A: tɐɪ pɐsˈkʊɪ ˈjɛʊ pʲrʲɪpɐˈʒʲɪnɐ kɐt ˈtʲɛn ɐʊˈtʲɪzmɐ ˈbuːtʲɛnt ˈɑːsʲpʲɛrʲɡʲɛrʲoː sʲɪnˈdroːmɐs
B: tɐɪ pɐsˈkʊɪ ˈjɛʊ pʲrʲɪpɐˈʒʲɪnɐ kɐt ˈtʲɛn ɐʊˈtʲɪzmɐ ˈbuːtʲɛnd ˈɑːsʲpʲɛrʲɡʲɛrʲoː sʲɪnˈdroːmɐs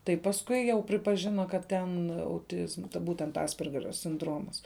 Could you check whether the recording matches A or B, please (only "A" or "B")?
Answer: A